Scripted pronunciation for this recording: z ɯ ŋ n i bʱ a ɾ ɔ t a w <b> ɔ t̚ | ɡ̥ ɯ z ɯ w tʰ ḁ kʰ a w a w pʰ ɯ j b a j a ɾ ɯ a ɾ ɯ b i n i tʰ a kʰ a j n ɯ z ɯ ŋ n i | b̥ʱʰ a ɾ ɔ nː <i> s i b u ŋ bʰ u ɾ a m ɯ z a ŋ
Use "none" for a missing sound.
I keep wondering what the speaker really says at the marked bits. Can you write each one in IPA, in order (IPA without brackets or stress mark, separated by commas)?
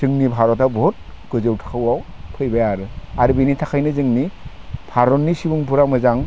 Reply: b, i